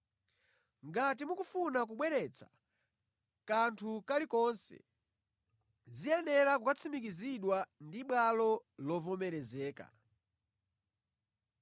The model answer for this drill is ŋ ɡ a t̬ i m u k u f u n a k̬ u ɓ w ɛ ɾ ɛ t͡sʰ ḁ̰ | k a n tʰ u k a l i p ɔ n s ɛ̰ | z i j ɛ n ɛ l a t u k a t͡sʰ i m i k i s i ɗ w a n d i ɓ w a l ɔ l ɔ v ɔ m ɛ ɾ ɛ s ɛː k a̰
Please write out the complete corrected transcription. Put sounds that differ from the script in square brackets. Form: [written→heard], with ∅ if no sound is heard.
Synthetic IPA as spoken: ŋ ɡ a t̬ i m u k u f u n a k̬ u ɓ w ɛ ɾ ɛ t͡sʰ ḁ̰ | k a n tʰ u k a l i [p→k] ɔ n s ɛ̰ | z i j ɛ n ɛ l a [t→k] u k a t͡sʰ i m i k i [s→z] i ɗ w a n d i ɓ w a l ɔ l ɔ v ɔ m ɛ ɾ ɛ [s→z] ɛː k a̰